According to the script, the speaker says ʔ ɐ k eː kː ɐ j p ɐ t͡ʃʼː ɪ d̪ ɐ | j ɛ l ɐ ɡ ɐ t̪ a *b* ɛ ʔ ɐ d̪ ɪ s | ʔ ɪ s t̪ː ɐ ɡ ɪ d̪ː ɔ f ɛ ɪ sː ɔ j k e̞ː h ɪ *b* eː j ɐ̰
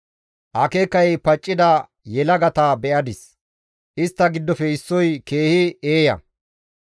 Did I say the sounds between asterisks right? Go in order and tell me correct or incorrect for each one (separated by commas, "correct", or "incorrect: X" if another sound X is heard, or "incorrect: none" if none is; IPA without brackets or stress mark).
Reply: correct, incorrect: none